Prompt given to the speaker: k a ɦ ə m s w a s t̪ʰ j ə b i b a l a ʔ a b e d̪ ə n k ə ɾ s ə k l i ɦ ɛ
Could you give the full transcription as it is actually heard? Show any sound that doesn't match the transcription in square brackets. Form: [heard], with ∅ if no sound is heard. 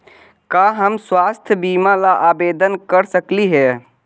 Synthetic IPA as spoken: k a ɦ ə m s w a s t̪ʰ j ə b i [m] a l a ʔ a b e d̪ ə n k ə ɾ s ə k l i ɦ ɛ

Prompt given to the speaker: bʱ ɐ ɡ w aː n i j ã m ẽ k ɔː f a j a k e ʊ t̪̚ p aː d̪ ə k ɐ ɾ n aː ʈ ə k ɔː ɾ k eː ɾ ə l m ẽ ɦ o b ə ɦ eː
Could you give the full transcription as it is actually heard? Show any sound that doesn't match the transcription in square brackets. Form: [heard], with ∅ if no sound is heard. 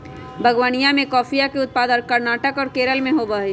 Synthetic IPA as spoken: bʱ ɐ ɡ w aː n i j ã m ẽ k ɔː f [i] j a k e ʊ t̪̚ p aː d̪ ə k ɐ ɾ n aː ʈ ə k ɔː ɾ k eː ɾ ə l m ẽ ɦ o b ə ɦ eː

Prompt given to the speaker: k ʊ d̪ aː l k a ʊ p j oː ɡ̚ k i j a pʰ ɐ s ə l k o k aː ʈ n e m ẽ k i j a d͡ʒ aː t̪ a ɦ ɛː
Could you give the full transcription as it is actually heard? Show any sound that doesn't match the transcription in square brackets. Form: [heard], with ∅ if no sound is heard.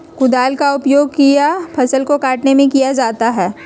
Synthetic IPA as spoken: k ʊ d̪ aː l k a ʊ p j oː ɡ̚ k i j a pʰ ɐ s ə l k o k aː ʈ n e m ẽ k i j a d͡ʒ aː t̪ a ɦ ɛː

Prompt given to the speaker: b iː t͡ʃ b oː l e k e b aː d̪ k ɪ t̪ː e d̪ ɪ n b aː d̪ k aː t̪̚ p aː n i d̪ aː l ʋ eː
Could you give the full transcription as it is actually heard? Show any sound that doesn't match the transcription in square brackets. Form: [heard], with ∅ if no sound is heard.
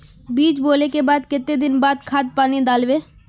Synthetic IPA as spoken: b iː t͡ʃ b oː l e k e b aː d̪ k ɪ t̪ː e d̪ ɪ n b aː d̪ [kʰ] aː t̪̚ p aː n i d̪ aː l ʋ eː

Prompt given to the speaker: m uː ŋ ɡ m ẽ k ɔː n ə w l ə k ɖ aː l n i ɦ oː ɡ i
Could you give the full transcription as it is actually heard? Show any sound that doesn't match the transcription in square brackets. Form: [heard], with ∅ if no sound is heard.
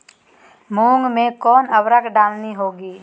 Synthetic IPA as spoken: m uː ŋ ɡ m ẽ k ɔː n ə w [ɾ] ə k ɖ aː l n i ɦ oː ɡ [iː]

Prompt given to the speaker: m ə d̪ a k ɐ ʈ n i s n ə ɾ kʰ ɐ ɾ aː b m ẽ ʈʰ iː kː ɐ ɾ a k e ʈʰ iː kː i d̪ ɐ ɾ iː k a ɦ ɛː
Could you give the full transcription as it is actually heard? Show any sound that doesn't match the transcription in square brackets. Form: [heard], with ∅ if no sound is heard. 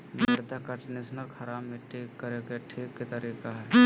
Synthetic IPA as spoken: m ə d̪ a k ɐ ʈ n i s n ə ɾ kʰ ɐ ɾ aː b m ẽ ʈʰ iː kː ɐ ɾ [e] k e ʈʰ iː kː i [t̪] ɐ ɾ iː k a ɦ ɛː

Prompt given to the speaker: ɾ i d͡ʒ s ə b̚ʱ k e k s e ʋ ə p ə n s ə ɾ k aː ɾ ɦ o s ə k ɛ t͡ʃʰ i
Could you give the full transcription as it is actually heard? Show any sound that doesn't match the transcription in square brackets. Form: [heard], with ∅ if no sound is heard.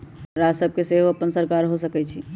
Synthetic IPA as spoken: ɾ [a] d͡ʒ s ə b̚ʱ k e [∅] s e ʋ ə p ə n s ə ɾ k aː ɾ ɦ o s ə k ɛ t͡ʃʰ i

